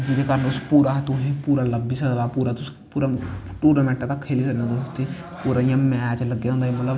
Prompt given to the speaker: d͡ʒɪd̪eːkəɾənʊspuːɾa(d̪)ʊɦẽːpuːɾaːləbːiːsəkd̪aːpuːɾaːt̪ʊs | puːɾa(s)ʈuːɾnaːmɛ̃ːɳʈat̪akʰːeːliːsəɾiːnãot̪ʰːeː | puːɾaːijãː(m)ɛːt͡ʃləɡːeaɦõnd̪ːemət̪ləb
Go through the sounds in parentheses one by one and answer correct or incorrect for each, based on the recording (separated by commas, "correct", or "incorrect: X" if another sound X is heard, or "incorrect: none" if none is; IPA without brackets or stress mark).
incorrect: t̪, incorrect: none, correct